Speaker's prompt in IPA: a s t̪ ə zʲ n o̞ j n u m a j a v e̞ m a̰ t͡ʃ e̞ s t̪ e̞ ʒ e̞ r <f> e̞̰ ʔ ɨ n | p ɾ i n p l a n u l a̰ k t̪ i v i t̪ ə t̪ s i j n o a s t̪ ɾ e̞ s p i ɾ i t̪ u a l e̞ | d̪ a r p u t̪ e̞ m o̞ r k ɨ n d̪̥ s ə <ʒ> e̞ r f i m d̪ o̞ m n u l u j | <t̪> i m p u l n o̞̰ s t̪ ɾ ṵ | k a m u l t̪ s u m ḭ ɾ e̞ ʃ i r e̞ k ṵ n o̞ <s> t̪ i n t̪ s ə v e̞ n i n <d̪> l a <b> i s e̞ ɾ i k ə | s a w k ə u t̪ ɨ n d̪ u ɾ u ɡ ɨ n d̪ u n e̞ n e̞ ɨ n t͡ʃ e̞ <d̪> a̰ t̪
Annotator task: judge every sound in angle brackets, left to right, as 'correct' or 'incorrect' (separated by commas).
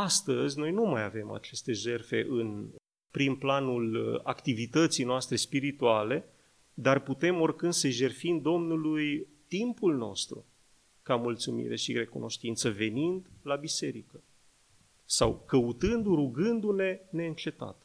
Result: correct, correct, correct, incorrect, correct, correct, incorrect